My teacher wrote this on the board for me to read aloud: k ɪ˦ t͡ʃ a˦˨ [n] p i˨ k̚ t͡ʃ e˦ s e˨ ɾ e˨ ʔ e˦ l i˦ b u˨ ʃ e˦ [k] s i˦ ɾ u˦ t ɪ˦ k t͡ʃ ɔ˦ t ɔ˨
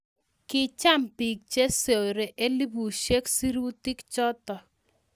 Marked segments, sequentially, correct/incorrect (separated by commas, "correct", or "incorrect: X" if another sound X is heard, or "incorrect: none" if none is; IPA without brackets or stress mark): incorrect: m, correct